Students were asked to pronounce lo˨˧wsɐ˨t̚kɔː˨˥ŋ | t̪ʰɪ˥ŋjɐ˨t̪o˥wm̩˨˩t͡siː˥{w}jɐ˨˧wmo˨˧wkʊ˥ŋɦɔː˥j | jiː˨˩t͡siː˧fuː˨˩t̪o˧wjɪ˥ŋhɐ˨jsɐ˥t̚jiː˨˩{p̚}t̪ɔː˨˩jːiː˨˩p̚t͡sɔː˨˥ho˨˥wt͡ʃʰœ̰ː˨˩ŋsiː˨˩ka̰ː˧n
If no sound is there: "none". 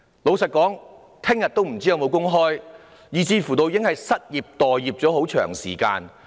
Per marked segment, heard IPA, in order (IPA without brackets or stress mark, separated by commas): none, p̚